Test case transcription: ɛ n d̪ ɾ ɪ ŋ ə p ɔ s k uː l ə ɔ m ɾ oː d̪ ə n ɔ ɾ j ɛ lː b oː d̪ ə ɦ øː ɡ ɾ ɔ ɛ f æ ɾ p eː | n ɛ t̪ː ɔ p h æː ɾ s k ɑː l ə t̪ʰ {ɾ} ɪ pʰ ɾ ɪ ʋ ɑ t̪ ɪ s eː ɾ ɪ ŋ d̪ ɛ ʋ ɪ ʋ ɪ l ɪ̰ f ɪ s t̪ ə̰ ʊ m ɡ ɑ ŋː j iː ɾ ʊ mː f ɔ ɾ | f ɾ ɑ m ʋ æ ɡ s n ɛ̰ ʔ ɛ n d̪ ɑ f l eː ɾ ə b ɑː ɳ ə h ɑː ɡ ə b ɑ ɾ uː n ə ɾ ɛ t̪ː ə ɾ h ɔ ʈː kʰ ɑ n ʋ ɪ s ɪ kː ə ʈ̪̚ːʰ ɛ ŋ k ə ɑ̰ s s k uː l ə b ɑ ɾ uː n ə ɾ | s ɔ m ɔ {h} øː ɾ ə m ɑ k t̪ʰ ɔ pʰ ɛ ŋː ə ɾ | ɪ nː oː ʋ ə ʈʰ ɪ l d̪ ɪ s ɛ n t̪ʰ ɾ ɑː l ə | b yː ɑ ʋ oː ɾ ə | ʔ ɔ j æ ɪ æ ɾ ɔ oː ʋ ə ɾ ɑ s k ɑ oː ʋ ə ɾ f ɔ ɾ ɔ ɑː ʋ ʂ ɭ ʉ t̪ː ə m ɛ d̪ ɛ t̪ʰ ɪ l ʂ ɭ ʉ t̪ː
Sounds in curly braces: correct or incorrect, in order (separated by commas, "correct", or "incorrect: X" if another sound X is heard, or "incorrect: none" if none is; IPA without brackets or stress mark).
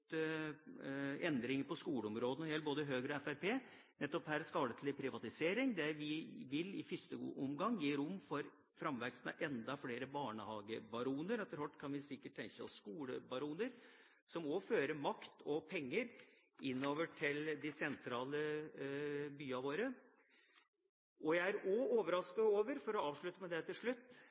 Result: incorrect: l, incorrect: f